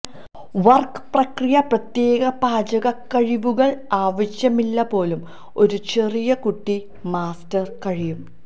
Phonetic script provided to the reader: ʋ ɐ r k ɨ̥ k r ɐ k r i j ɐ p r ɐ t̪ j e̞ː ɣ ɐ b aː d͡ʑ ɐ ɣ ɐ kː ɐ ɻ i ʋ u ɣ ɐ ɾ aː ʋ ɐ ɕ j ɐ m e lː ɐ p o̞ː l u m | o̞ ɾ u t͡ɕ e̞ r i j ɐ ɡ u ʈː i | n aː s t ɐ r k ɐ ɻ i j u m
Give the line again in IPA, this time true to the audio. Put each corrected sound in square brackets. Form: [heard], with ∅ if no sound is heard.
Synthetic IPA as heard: ʋ ɐ r k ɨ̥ [p] r ɐ k r i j ɐ p r ɐ t̪ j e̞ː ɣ ɐ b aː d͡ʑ ɐ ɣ ɐ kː ɐ ɻ i ʋ u ɣ ɐ [ɭ] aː ʋ ɐ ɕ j ɐ m [i] lː ɐ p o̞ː l u m | o̞ ɾ u t͡ɕ e̞ r i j ɐ [k] u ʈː i | [m] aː s t ɐ r k ɐ ɻ i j u m

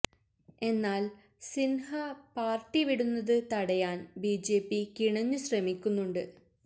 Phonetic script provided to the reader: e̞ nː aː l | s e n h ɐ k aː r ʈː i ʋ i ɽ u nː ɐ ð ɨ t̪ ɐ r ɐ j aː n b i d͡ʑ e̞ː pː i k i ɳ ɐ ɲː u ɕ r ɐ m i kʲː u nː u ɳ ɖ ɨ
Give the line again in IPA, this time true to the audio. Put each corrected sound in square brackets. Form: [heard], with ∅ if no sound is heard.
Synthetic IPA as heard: e̞ nː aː l | s [i] n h ɐ [p] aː r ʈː i ʋ i ɽ u nː ɐ ð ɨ t̪ ɐ [ɽ] ɐ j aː n b i d͡ʑ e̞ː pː i k i ɳ ɐ ɲː u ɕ r ɐ m i kʲː u nː u ɳ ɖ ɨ

